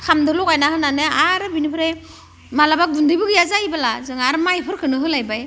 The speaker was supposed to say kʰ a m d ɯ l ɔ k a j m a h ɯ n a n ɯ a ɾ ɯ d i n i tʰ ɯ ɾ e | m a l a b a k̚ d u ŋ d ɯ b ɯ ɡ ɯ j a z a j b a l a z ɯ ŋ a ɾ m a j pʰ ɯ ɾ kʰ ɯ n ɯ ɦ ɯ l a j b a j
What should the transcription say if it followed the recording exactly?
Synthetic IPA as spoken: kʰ a m d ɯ l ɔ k a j n a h ɯ n a n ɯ a ɾ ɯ b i n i pʰ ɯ ɾ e | m a l a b a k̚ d u n d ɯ b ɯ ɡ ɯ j a z a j b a l a z ɯ ŋ a ɾ m a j pʰ ɯ ɾ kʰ ɯ n ɯ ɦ ɯ l a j b a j